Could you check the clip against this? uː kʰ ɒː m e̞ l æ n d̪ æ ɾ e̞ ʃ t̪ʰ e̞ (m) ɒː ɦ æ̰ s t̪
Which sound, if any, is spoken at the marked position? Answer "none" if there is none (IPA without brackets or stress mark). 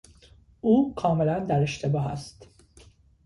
b